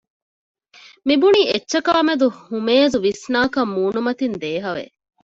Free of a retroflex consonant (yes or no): yes